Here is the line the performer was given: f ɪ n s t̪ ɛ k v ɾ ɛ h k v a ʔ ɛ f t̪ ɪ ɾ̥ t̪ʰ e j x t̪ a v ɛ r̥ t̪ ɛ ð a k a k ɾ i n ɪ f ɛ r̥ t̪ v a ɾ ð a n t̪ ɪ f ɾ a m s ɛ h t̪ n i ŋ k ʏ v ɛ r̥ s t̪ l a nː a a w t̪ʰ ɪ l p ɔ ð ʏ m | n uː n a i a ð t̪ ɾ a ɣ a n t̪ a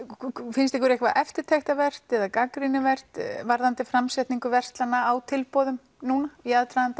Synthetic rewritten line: f ɪ n s t̪ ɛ k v ɾ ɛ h k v a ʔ ɛ f t̪ ɪ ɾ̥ t̪ʰ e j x t̪ a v ɛ r̥ t̪ ɛ ð a k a k ɾ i n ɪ v ɛ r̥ t̪ v a ɾ ð a n t̪ ɪ f ɾ a m s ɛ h t̪ n i ŋ k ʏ v ɛ r̥ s t̪ l a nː a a w t̪ʰ ɪ l p ɔ ð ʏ m | n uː n a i a ð t̪ ɾ a ð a n t̪ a